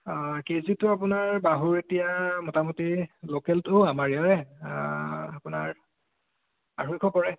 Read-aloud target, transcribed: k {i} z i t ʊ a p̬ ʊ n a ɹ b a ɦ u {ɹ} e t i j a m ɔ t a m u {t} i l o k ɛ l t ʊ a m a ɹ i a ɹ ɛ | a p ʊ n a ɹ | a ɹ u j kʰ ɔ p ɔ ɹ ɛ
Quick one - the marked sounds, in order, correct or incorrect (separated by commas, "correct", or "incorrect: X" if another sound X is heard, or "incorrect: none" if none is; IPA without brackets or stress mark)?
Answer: incorrect: e, correct, correct